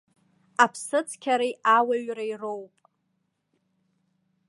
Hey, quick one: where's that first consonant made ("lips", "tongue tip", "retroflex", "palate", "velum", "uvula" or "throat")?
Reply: lips